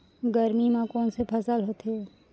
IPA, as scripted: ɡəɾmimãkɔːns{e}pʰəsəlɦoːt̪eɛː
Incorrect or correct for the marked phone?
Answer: correct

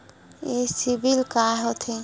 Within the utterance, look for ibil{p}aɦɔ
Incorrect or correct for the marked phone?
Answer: incorrect: k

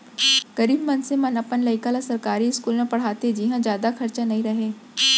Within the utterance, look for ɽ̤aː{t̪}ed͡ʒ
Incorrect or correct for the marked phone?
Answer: correct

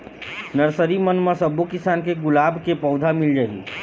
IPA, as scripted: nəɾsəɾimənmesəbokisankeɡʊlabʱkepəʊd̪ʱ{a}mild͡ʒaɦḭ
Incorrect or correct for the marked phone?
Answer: correct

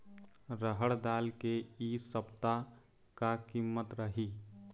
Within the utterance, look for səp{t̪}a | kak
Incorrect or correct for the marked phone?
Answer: correct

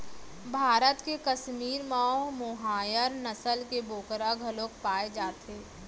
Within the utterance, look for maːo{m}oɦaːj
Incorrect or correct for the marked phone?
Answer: correct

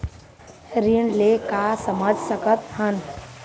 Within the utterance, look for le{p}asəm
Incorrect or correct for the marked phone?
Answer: incorrect: k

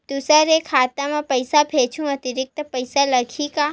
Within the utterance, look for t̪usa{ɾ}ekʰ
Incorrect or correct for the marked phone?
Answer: correct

